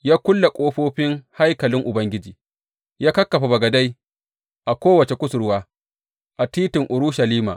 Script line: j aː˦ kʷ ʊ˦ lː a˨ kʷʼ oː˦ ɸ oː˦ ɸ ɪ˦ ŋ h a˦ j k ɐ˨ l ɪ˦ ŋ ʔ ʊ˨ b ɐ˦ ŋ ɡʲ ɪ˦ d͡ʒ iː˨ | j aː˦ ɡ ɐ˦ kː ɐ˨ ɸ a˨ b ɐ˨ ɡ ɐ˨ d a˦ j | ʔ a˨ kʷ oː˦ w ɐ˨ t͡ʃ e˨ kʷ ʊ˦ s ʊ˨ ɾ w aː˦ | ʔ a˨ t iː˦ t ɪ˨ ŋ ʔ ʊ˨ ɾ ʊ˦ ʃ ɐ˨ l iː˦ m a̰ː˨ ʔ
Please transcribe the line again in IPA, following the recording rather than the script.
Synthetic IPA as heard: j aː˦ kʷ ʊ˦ lː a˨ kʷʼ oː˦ ɸ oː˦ ɸ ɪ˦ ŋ h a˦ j k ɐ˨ l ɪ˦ ŋ ʔ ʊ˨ b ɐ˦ ŋ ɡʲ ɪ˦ d͡ʒ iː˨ | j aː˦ k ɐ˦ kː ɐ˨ ɸ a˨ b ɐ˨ ɡ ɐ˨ d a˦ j | ʔ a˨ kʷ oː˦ w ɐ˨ t͡ʃ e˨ kʷ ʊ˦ s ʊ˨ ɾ w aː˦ | ʔ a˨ t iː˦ t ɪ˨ ŋ ʔ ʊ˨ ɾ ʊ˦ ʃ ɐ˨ l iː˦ m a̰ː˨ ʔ